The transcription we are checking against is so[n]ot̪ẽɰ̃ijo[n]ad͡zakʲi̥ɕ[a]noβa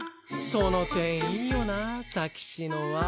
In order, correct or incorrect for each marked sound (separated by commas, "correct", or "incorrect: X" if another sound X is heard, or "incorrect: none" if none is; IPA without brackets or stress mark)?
correct, correct, incorrect: i